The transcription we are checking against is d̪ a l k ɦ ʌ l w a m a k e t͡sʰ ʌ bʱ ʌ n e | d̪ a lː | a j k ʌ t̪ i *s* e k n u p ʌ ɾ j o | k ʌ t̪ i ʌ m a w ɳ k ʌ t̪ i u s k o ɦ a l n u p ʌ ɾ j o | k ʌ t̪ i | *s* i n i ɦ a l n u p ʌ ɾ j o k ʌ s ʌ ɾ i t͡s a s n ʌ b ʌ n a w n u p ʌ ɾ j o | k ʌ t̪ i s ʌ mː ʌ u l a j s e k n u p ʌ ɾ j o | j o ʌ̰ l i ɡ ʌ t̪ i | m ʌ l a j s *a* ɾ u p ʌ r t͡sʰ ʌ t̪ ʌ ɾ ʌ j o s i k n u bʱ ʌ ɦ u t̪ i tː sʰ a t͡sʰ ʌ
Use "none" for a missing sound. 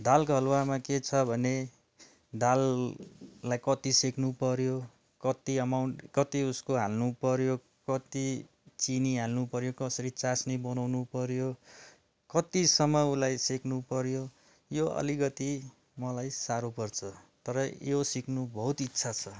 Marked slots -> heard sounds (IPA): s, t͡s, a

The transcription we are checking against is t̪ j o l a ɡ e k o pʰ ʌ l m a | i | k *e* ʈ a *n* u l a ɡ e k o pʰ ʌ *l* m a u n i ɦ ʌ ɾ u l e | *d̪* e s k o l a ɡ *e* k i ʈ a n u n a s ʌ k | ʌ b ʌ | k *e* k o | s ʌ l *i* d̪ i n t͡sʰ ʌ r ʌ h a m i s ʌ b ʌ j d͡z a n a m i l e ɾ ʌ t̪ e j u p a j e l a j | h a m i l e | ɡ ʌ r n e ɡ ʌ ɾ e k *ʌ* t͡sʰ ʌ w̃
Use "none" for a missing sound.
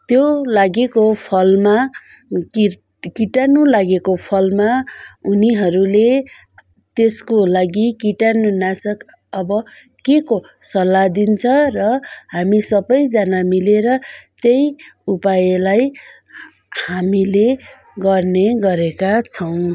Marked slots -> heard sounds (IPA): i, n, l, t̪, i, e, a, a

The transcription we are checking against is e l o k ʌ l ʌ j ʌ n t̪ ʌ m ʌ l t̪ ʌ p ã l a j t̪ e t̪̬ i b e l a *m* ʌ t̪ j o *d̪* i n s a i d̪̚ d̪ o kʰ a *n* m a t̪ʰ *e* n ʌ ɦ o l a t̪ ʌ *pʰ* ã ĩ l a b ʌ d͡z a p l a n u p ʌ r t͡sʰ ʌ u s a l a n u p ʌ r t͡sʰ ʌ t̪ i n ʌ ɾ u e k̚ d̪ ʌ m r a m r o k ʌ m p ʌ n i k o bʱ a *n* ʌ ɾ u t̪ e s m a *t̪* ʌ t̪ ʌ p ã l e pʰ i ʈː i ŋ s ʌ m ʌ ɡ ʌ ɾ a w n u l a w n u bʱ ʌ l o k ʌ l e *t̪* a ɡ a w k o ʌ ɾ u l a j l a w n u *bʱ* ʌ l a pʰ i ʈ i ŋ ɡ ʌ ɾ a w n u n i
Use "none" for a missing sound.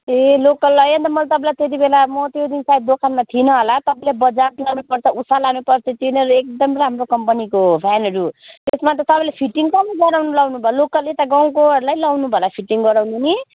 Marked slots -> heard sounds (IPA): m, d̪, n, i, p, n, t̪, t̪, bʱ

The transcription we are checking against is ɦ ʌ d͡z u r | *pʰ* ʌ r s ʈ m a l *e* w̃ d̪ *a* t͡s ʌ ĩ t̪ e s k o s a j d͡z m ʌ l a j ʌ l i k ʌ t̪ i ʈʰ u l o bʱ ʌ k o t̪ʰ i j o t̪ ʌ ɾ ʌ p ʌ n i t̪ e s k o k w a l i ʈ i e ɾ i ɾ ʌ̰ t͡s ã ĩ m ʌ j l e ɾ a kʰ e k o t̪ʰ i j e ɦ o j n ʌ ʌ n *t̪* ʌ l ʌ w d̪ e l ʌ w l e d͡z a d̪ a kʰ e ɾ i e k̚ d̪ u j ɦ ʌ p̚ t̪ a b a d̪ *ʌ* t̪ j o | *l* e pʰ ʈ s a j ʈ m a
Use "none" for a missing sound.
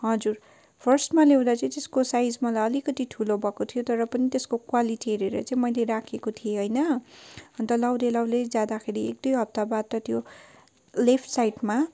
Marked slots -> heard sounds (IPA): pʰ, e, a, t̪, ʌ, l

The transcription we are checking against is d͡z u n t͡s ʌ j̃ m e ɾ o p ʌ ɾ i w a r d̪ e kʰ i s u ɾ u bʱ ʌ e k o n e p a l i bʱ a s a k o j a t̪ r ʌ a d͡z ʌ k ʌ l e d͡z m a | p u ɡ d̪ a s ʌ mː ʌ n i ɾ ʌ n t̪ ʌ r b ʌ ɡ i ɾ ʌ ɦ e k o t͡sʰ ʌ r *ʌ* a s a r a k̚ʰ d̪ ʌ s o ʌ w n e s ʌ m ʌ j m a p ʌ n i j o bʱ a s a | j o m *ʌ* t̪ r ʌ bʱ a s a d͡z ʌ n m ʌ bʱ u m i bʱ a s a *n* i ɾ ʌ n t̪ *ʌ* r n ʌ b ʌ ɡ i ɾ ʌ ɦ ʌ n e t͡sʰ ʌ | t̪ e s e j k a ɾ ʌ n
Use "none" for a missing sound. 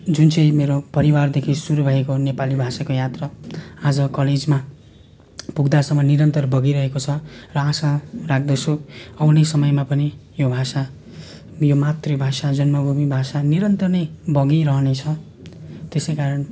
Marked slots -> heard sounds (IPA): ʌ, a, n, ʌ

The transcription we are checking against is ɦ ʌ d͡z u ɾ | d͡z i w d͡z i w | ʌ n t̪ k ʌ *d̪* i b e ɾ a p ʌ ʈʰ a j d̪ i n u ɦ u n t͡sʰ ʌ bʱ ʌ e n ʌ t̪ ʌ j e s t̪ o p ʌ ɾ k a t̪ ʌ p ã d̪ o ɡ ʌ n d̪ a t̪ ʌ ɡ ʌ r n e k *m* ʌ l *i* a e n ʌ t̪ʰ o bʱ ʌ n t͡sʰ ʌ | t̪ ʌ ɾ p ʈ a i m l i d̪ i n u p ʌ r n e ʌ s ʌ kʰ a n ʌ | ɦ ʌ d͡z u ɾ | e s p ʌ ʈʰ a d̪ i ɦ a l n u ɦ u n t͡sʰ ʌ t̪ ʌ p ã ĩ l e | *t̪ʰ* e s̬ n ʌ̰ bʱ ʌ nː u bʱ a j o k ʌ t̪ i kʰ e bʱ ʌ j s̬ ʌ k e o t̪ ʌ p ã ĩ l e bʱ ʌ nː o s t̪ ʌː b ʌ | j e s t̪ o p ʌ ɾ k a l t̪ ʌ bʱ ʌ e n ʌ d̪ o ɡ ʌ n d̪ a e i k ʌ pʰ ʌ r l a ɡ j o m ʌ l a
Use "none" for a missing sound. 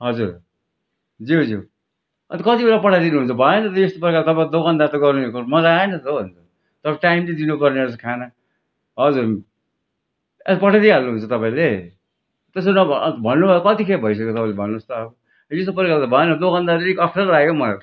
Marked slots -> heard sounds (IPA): t̪, m, a, t̪

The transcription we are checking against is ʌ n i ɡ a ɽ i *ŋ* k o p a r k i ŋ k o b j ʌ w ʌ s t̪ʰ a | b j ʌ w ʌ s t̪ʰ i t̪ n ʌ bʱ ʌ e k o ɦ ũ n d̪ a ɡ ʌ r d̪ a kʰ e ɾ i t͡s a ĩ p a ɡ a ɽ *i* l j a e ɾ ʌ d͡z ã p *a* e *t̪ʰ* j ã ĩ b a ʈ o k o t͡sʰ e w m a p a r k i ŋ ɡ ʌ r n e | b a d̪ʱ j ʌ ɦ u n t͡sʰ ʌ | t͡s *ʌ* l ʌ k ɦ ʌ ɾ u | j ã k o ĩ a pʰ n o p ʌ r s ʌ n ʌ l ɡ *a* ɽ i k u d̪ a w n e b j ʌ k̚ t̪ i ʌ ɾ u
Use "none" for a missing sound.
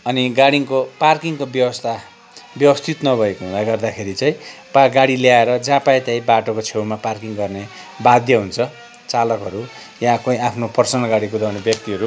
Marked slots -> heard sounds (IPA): ŋ, i, a, t̪, a, a

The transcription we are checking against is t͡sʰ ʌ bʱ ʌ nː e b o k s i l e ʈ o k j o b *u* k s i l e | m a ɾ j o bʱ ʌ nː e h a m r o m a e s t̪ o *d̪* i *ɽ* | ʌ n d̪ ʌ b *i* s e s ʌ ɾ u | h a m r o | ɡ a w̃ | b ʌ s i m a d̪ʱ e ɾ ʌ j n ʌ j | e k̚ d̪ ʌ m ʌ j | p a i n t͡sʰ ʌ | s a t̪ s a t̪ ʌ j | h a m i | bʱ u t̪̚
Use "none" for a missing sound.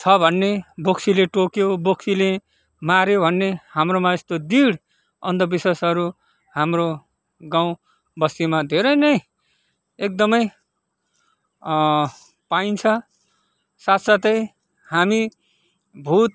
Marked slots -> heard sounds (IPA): o, d̪, ɽ, i

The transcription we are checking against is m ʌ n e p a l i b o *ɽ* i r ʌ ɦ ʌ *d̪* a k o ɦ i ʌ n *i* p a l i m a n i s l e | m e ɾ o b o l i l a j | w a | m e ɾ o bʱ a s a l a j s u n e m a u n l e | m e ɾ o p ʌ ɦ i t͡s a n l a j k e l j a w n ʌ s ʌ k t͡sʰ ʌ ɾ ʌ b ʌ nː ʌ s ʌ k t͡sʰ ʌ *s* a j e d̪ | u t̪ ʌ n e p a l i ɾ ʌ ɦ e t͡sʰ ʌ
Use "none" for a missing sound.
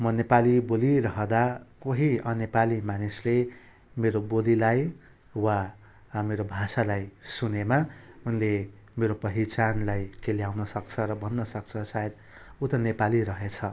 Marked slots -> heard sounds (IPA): l, d̪, e, s

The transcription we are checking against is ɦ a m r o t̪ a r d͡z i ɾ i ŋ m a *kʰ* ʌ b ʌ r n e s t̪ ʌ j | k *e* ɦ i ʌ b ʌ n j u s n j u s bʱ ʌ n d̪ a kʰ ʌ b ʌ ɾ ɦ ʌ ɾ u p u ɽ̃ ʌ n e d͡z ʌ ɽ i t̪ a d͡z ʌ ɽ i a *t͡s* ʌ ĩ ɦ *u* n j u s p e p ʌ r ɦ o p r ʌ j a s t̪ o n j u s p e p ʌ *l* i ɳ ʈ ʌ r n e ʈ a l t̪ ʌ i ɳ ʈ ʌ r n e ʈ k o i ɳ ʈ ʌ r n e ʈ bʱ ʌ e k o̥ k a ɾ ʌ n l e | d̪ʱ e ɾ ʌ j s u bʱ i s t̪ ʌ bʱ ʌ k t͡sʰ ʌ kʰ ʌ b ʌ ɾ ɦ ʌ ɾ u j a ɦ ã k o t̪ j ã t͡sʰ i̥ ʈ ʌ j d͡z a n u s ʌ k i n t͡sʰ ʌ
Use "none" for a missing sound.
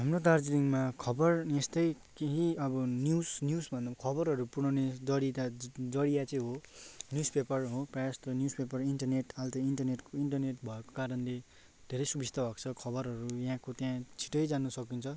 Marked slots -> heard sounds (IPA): kʰ, e, t͡s, o, r

